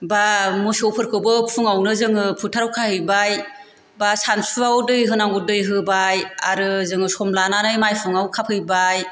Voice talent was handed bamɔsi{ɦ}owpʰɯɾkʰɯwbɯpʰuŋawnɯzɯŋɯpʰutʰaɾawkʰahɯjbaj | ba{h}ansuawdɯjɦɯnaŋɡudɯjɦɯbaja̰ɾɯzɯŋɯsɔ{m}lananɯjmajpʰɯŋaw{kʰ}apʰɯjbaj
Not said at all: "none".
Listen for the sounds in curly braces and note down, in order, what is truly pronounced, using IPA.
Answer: none, s, m, kʰ

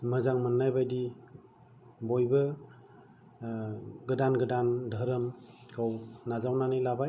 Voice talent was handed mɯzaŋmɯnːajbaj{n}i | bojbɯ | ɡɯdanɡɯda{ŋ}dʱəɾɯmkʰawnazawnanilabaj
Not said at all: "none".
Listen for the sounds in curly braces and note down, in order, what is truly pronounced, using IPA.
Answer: d, n

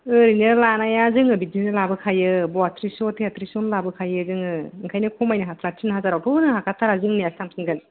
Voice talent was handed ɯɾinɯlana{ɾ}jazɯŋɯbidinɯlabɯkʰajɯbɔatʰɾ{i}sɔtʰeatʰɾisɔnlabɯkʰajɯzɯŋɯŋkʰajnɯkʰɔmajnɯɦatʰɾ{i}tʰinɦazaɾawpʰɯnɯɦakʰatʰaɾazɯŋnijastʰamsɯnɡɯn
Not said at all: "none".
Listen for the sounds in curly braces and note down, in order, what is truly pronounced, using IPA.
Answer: none, i, a

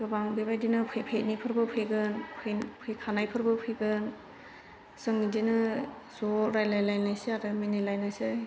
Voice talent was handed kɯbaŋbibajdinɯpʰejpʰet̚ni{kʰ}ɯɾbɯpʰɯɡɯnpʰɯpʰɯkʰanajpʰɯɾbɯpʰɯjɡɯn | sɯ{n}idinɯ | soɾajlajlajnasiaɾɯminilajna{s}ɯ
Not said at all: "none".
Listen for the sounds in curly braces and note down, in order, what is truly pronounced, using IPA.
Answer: pʰ, ŋ, s

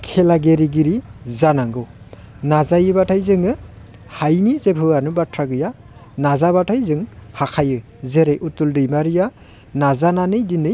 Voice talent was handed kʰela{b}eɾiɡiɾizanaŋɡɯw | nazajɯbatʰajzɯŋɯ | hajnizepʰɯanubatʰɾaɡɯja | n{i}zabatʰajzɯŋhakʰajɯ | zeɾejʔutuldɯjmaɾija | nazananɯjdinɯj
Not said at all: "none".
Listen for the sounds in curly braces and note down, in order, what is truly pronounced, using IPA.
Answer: ɡ, a

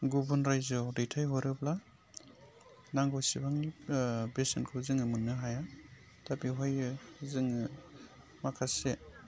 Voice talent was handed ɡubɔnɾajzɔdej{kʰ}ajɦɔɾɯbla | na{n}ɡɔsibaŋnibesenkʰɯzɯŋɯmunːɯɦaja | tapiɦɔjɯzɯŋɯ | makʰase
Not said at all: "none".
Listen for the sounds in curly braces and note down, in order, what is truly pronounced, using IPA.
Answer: tʰ, ŋ

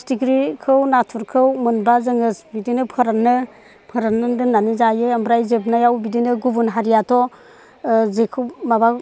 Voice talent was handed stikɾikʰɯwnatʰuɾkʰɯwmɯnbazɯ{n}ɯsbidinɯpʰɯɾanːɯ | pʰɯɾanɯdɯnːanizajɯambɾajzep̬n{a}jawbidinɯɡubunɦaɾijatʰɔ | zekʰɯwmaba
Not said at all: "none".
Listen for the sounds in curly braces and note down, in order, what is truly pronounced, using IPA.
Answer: ŋ, a

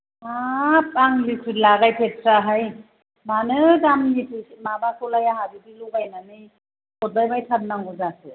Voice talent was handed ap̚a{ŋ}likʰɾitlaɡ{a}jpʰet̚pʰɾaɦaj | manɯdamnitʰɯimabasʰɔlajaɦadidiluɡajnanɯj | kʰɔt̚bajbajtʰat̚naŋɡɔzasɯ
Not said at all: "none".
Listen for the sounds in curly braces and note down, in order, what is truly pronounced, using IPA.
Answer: ŋ, a

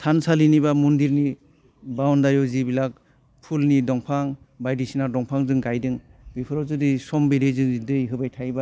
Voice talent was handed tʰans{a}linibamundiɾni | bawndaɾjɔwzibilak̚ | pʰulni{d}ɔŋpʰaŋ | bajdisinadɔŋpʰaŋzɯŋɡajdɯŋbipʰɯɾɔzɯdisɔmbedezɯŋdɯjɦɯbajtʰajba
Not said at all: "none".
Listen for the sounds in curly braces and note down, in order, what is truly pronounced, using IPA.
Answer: a, d

